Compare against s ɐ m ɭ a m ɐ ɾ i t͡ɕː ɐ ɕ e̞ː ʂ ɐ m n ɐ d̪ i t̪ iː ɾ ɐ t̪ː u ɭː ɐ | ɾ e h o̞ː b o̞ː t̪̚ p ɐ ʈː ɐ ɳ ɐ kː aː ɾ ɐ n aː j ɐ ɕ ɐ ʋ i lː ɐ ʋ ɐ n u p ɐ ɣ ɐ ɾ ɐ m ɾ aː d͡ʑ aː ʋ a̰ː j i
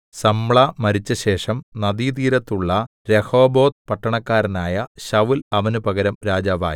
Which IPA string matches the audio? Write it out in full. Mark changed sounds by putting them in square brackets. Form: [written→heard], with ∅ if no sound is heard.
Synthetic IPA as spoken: s ɐ m ɭ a m ɐ ɾ i t͡ɕː ɐ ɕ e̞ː ʂ ɐ m n ɐ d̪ i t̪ iː ɾ ɐ t̪ː u ɭː ɐ | ɾ e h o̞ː b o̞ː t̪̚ p ɐ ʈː ɐ ɳ ɐ kː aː ɾ ɐ n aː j ɐ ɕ ɐ ʋ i [lː→l] ɐ ʋ ɐ n u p ɐ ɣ ɐ ɾ ɐ m ɾ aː d͡ʑ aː ʋ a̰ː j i